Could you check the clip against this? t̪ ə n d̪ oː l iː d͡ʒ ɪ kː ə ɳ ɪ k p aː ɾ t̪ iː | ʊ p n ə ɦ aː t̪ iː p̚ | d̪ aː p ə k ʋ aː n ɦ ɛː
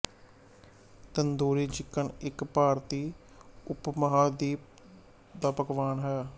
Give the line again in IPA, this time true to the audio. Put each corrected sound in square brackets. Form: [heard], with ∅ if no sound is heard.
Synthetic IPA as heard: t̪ ə n d̪ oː [ɾ] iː d͡ʒ ɪ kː ə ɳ ɪ k p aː ɾ t̪ iː | ʊ p [m] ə ɦ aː [d̪] iː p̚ | d̪ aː p ə k ʋ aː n ɦ ɛː

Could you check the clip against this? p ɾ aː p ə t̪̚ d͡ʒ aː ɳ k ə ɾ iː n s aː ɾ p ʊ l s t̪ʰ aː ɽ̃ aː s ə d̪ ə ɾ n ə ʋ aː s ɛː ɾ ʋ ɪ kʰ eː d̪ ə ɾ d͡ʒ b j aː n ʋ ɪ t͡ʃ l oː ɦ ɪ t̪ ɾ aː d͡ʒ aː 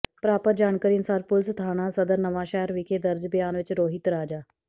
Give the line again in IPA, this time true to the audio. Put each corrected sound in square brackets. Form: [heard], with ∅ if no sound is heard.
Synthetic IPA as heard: p ɾ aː p ə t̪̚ d͡ʒ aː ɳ k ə ɾ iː n s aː ɾ p ʊ l s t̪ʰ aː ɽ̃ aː s ə d̪ ə ɾ n ə ʋ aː [ʃ] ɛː ɾ ʋ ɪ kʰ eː d̪ ə ɾ d͡ʒ b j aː n ʋ ɪ t͡ʃ [ɾ] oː ɦ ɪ t̪ ɾ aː d͡ʒ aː

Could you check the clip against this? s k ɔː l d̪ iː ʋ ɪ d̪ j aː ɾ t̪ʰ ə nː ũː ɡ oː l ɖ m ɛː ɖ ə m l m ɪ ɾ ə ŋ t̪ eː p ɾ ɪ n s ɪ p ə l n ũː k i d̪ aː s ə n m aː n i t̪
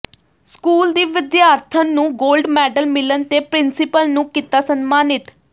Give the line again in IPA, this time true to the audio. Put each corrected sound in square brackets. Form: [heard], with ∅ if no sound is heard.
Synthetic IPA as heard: s k [uː] l d̪ iː ʋ ɪ d̪ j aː ɾ t̪ʰ ə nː ũː ɡ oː l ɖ m ɛː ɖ ə [∅] l m ɪ [l] ə [n] t̪ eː p ɾ ɪ n s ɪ p ə l n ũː k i [t̪] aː s ə n m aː n [ɪ] t̪

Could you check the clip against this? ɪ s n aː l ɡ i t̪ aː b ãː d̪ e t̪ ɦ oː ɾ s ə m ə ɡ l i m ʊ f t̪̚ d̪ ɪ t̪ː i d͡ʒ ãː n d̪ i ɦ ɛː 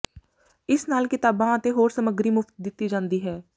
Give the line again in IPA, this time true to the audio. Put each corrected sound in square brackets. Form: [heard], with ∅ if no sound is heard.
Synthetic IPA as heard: ɪ s n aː l [k] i t̪ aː b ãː [t̪] e [∅] ɦ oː ɾ s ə m ə ɡ [ɾ] i m ʊ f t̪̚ d̪ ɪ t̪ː i d͡ʒ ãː n d̪ i ɦ ɛː

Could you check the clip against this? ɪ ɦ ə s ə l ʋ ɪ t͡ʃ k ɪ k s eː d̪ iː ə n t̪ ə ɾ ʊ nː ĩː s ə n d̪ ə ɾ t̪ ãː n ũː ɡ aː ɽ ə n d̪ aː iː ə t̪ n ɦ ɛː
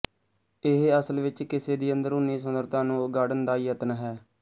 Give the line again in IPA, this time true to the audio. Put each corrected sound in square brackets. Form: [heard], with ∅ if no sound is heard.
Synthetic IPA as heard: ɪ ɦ ə s ə l ʋ ɪ t͡ʃ k ɪ [∅] s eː d̪ iː ə n [d̪] ə ɾ ʊ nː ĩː s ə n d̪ ə ɾ t̪ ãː n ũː ɡ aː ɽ ə n d̪ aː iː ə t̪ n ɦ ɛː

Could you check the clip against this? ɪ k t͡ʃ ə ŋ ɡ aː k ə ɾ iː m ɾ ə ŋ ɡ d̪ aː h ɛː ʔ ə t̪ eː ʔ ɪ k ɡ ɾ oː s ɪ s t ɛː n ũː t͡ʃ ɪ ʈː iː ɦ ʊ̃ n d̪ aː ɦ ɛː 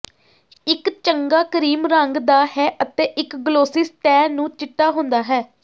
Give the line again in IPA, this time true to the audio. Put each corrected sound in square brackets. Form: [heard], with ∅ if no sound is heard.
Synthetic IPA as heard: ɪ k t͡ʃ ə ŋ ɡ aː k ə ɾ iː m ɾ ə ŋ ɡ d̪ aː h ɛː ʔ ə t̪ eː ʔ ɪ k ɡ [l] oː s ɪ s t ɛː n ũː t͡ʃ ɪ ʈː [aː] ɦ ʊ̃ n d̪ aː ɦ ɛː

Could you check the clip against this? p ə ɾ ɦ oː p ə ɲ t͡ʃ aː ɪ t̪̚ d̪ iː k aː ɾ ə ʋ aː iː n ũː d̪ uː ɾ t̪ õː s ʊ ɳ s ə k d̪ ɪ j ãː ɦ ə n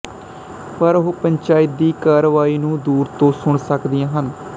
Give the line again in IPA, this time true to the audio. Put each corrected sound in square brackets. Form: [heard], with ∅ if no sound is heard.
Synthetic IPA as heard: p ə ɾ ɦ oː p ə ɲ t͡ʃ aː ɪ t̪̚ d̪ iː k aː ɾ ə ʋ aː iː n ũː d̪ uː ɾ t̪ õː s ʊ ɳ s ə k d̪ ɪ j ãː ɦ ə n

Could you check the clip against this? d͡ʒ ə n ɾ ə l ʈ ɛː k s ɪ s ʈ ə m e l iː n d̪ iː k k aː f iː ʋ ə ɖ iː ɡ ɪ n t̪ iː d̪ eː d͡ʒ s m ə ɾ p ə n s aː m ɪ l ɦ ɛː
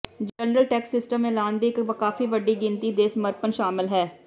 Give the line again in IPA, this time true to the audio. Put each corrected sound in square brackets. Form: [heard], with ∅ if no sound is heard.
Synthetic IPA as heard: d͡ʒ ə n ɾ ə l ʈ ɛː k s ɪ s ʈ ə m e l [aː] n d̪ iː k k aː f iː ʋ ə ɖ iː ɡ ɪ n t̪ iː d̪ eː [∅] s m ə ɾ p ə n [ʃ] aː m ɪ l ɦ ɛː

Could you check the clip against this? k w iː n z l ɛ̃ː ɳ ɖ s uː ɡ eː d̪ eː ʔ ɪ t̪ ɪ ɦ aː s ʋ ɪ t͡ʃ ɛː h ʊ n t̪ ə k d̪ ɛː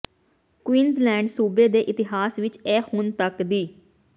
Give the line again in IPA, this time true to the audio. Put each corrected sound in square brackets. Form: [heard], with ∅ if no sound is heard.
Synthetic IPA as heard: k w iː n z l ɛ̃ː ɳ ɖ s uː [b] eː d̪ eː ʔ ɪ t̪ ɪ ɦ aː s ʋ ɪ t͡ʃ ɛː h ʊ n t̪ ə k d̪ [iː]

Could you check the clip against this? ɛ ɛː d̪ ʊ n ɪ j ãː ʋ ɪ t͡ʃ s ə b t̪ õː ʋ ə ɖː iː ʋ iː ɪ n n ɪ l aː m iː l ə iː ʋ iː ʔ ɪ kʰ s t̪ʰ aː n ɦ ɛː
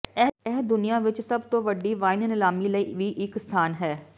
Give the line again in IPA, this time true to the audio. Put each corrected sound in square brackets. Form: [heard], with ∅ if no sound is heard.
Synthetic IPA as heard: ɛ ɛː d̪ ʊ n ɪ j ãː ʋ ɪ t͡ʃ s ə b t̪ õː ʋ ə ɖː iː ʋ [aː] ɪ n n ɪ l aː m iː l ə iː ʋ iː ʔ ɪ [k] s t̪ʰ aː n ɦ ɛː

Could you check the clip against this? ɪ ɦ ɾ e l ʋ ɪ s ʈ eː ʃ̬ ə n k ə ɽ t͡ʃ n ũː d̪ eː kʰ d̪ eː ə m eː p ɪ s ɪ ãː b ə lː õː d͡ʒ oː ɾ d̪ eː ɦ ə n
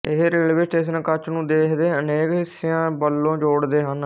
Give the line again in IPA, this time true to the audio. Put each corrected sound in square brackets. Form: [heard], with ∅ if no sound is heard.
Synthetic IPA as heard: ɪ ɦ ɾ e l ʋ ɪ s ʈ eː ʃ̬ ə n k ə [∅] t͡ʃ n ũː d̪ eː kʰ d̪ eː ə [n] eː [k] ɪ s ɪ ãː b ə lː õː d͡ʒ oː [ɽ] d̪ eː ɦ ə n

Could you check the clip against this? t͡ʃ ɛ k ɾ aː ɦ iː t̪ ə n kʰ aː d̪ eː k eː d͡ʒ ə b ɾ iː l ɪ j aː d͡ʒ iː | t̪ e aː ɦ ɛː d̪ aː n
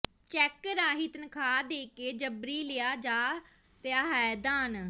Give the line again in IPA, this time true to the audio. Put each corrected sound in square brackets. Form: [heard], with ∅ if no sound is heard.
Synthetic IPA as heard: t͡ʃ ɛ k ɾ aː ɦ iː t̪ ə n kʰ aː d̪ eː k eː d͡ʒ ə b ɾ iː l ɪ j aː d͡ʒ [aː] | t̪ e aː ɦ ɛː d̪ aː n

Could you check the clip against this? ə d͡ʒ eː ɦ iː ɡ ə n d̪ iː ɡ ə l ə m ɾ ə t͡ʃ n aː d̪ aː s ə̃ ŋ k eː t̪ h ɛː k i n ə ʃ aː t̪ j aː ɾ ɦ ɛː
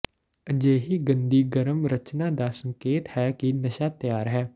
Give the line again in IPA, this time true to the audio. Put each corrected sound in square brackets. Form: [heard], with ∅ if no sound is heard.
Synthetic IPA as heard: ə d͡ʒ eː ɦ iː ɡ ə n d̪ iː ɡ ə [ɾ] ə m ɾ ə t͡ʃ n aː d̪ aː s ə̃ ŋ k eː t̪ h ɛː k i n ə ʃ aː t̪ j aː ɾ ɦ ɛː

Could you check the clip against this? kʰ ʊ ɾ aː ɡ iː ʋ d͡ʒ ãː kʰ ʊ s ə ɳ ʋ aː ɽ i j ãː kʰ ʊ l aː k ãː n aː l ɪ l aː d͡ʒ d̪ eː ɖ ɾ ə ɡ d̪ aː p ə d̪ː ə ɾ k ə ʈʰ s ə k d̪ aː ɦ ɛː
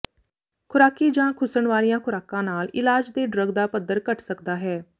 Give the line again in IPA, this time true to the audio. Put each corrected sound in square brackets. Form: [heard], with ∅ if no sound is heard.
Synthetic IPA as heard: kʰ ʊ ɾ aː [k] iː [∅] d͡ʒ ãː kʰ ʊ s ə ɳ ʋ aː [l] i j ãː kʰ ʊ [ɾ] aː k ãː n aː l ɪ l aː d͡ʒ d̪ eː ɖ ɾ ə ɡ d̪ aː p ə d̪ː ə ɾ k ə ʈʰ s ə k d̪ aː ɦ ɛː

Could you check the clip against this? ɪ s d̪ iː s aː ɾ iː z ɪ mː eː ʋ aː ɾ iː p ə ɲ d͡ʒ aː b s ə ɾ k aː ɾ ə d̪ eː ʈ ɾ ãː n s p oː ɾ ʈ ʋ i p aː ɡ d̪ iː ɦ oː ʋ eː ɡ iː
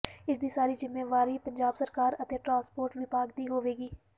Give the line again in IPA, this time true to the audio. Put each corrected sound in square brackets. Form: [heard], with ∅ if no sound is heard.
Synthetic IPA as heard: ɪ s d̪ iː s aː ɾ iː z ɪ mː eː ʋ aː ɾ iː p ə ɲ d͡ʒ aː b s ə ɾ k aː ɾ ə [t̪] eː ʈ ɾ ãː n s p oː ɾ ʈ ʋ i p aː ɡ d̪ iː ɦ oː ʋ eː ɡ iː

